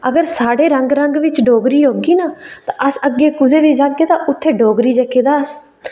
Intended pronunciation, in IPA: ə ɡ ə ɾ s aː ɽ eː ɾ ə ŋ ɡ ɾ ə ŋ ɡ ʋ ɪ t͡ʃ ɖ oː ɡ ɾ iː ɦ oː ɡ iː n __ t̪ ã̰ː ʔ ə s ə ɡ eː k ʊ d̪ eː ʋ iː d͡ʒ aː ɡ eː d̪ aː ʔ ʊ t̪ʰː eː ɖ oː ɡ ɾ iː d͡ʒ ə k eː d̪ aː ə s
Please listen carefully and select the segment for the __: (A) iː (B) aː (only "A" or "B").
B